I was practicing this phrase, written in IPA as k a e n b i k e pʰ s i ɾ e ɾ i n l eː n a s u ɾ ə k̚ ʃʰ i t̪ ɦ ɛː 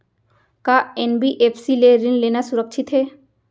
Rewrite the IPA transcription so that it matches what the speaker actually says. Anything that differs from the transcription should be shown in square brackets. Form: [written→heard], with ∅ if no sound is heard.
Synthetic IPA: k a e n b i [k→ʔ] e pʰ s i [ɾ→l] e ɾ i n l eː n a s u ɾ ə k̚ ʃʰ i t̪ ɦ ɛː

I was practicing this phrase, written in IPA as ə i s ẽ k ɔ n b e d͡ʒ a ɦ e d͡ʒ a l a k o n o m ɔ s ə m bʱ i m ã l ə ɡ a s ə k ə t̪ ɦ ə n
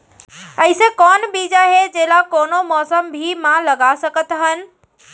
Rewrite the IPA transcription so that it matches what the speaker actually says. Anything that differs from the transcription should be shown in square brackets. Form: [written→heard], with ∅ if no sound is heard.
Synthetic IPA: ə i s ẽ k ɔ n b [e→i] d͡ʒ a ɦ e d͡ʒ [a→e] l a k o n o m ɔ s ə m bʱ i m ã l ə ɡ a s ə k ə t̪ ɦ ə n

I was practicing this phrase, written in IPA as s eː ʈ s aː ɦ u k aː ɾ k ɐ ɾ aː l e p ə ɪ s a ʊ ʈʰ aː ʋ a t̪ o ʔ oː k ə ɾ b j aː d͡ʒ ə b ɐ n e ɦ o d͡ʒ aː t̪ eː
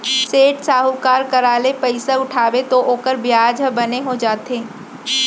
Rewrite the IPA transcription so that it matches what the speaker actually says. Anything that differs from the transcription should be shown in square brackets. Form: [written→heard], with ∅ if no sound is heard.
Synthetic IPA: s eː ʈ s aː ɦ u k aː ɾ k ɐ ɾ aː l e p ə ɪ s a ʊ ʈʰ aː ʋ [a→e] t̪ o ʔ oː k ə ɾ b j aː d͡ʒ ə b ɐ n e ɦ o d͡ʒ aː t̪ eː

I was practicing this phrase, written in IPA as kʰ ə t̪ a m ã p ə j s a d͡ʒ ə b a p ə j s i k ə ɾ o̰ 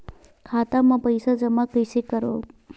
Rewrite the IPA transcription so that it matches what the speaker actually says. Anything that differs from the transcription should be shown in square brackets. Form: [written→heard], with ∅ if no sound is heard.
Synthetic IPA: kʰ [ə→a] t̪ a m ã p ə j s a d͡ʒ ə [b→m] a [p→k] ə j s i k ə ɾ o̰

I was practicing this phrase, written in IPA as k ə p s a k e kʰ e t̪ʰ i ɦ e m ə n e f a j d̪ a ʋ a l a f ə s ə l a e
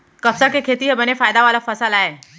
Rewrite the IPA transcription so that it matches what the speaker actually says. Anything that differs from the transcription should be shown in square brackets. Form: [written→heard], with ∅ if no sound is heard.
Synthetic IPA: k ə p s a k e kʰ e [t̪ʰ→t̪] i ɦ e [m→b] ə n e f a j d̪ a ʋ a l a f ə s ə l a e

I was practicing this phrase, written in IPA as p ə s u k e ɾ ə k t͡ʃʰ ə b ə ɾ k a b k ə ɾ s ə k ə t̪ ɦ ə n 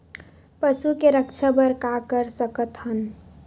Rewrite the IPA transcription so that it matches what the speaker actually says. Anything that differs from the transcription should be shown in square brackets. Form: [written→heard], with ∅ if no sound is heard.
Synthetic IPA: p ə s u k e ɾ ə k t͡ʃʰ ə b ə ɾ k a [b→∅] k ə ɾ s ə k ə t̪ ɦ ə n

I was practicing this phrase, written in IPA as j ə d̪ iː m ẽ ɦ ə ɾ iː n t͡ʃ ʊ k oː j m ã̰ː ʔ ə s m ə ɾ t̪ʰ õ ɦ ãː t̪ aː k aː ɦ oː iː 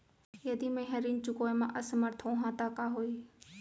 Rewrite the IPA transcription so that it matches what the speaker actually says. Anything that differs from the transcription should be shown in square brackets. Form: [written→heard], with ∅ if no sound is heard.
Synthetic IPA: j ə d̪ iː m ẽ ɦ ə ɾ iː n t͡ʃ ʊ k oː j m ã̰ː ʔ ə s m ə ɾ t̪ʰ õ ɦ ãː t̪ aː k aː ɦ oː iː

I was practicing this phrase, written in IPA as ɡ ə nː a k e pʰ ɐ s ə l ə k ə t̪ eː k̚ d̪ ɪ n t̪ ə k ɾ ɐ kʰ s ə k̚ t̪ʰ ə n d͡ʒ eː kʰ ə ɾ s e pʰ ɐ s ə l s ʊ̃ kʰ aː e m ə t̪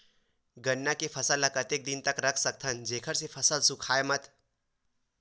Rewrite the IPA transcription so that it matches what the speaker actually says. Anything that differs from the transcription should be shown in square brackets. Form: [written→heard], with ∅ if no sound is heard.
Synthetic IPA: ɡ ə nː a k e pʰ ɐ s ə l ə k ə t̪ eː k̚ d̪ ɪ n t̪ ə k ɾ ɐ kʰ s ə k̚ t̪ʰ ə n d͡ʒ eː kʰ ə ɾ s e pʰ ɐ s ə l s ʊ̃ kʰ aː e m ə t̪

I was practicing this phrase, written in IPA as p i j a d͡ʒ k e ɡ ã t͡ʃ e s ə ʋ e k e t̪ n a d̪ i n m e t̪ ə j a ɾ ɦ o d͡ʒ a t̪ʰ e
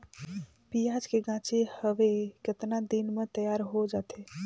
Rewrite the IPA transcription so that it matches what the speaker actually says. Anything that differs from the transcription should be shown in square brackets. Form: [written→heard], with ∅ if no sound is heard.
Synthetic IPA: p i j a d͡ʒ k e ɡ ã t͡ʃ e [s→h] ə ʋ e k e t̪ n a d̪ i n m e t̪ ə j a ɾ ɦ o d͡ʒ a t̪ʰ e

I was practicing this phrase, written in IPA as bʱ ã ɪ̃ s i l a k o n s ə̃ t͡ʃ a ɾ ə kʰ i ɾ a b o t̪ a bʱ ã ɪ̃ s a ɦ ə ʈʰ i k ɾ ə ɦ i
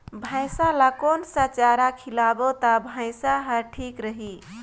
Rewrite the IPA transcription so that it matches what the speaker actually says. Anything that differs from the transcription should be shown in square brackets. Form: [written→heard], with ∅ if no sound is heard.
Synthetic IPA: bʱ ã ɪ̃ s [i→a] l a k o n s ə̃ t͡ʃ a ɾ [ə→a] kʰ i [ɾ→l] a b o t̪ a bʱ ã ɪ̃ s a ɦ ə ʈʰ i k ɾ ə ɦ i

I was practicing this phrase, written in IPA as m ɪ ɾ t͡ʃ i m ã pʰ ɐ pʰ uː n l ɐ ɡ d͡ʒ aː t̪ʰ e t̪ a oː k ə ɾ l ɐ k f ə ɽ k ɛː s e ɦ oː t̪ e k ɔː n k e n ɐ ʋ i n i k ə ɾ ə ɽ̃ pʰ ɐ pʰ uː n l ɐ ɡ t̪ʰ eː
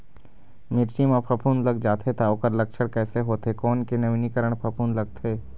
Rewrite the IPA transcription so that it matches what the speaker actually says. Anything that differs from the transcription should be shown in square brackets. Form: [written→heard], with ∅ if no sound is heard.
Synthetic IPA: m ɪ ɾ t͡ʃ i m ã pʰ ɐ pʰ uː n l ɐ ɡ d͡ʒ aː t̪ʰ e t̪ a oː k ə ɾ l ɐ k [f→ʃ] ə ɽ k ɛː s e ɦ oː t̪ e k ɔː n k e n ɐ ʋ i n i k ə ɾ ə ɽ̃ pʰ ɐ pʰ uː n l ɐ ɡ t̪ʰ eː

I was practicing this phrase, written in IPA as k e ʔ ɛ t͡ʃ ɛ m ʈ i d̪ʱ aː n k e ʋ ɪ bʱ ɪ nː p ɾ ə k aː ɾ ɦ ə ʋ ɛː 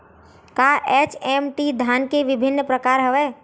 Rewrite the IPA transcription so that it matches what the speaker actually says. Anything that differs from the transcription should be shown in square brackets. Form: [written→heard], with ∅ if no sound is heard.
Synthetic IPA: k [e→a] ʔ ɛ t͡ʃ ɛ m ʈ i d̪ʱ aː n k e ʋ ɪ bʱ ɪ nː p ɾ ə k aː ɾ ɦ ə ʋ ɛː

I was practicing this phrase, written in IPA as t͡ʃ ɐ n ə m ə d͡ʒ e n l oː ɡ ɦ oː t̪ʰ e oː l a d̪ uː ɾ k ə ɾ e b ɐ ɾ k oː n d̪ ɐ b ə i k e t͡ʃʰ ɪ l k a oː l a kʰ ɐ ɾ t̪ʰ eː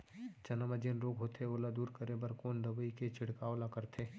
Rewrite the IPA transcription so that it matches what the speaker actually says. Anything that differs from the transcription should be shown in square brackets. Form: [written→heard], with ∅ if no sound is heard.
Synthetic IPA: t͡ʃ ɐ n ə m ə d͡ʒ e n [l→ɾ] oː ɡ ɦ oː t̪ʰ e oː l a d̪ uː ɾ k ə ɾ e b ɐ ɾ k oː n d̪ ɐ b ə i k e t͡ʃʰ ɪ [l→ɽ] k a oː l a [kʰ→k] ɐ ɾ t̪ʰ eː

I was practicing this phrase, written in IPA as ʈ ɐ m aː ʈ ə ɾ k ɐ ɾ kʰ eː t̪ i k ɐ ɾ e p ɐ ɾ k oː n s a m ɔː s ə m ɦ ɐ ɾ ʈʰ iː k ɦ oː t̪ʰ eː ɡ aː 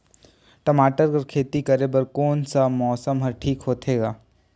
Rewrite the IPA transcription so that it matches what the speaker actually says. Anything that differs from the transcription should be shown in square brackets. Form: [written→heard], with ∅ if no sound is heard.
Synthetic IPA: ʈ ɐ m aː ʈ ə ɾ k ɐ ɾ kʰ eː t̪ i k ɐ ɾ e [p→b] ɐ ɾ k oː n s a m ɔː s ə m ɦ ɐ ɾ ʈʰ iː k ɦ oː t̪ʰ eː ɡ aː

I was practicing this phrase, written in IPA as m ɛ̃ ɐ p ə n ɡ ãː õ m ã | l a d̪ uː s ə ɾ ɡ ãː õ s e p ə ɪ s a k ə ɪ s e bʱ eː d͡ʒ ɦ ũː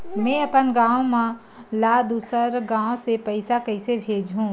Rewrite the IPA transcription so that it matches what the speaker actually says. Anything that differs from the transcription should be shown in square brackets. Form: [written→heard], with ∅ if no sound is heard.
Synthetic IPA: m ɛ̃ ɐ p ə n ɡ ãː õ m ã | l a d̪ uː s ə ɾ ɡ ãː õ s e p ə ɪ s a k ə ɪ s e bʱ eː d͡ʒ ɦ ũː

